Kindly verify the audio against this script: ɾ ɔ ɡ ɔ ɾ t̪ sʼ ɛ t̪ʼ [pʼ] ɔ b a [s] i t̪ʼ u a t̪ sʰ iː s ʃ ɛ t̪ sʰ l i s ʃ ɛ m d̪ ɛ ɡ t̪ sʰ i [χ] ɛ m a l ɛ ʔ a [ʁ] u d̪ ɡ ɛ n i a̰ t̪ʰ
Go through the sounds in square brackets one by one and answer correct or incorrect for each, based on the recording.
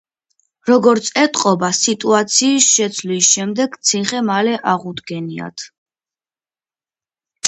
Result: incorrect: qʼ, correct, correct, correct

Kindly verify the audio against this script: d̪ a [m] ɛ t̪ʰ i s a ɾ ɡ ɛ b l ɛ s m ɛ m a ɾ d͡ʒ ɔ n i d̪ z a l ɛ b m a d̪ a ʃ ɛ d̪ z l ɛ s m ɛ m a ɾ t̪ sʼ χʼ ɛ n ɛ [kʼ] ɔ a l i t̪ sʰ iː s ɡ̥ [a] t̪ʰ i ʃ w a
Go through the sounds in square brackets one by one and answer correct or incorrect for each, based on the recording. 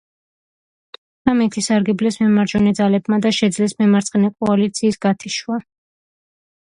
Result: correct, correct, correct

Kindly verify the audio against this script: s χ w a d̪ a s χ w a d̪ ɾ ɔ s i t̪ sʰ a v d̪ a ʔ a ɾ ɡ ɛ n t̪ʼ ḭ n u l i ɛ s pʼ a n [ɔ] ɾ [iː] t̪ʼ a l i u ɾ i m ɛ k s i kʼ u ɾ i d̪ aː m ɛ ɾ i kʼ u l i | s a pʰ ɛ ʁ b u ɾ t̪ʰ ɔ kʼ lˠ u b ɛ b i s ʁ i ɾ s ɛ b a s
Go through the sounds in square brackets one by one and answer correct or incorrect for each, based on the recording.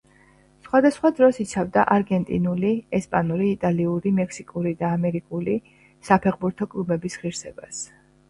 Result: incorrect: u, correct

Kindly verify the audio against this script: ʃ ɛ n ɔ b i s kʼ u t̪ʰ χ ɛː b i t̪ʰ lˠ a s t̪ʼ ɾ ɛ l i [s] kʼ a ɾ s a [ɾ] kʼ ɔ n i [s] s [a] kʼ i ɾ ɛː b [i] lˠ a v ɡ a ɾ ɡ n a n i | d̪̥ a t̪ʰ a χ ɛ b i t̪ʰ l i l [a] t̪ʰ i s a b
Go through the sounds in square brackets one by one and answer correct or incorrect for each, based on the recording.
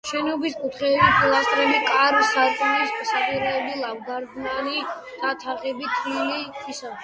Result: incorrect: none, correct, correct, correct, correct, incorrect: i

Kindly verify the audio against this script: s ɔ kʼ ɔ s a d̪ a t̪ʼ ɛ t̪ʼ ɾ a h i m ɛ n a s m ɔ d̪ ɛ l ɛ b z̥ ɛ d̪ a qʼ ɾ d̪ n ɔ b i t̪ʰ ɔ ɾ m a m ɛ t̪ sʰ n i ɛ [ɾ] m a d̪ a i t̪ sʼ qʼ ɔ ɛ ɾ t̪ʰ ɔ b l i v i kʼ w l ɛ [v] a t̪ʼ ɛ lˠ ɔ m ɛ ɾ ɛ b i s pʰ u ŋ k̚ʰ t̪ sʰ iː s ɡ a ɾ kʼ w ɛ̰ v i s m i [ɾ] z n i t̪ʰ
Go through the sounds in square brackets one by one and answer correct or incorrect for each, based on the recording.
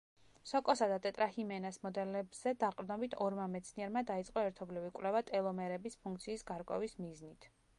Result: correct, correct, incorrect: none

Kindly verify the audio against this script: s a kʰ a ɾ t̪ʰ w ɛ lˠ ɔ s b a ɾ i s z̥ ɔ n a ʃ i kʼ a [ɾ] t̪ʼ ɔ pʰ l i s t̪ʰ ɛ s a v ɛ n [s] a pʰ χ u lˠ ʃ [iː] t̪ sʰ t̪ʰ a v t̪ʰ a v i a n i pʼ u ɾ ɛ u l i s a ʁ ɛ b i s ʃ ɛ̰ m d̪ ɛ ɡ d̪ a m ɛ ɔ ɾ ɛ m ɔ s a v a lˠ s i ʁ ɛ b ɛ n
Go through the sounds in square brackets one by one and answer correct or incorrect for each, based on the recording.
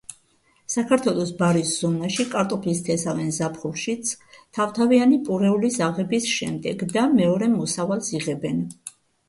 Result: correct, incorrect: z, incorrect: i

